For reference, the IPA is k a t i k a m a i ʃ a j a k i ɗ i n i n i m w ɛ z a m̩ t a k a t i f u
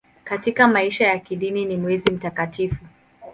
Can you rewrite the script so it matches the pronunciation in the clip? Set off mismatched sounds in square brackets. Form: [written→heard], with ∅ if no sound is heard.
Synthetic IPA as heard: k a t i k a m a i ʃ a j a k i ɗ i n i n i m w ɛ z [a→i] m̩ t a k a t i f u